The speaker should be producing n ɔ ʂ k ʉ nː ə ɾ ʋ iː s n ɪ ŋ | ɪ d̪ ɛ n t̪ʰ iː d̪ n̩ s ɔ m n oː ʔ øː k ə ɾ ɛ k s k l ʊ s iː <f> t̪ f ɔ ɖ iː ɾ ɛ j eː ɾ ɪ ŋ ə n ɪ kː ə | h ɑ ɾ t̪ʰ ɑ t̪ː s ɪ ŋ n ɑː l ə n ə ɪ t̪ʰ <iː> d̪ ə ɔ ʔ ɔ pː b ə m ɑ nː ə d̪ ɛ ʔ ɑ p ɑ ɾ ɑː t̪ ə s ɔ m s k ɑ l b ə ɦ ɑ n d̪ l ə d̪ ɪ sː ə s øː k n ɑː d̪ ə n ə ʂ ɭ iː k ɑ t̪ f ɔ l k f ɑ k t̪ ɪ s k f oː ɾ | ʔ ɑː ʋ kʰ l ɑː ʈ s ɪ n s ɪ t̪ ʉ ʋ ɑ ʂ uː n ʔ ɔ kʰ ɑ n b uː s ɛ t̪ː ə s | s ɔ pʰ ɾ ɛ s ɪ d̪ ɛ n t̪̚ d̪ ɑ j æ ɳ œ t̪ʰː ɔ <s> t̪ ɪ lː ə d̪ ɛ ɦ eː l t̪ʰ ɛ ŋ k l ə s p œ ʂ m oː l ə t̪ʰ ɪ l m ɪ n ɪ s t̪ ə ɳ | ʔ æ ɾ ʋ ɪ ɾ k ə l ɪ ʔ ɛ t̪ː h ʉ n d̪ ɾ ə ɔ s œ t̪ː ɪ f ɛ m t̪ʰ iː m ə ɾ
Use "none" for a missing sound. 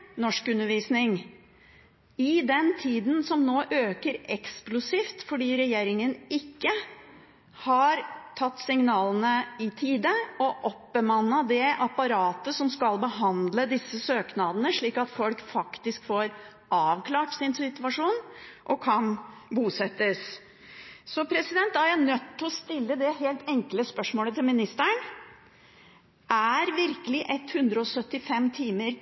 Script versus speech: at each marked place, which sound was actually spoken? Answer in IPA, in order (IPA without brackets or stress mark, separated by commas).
f, iː, s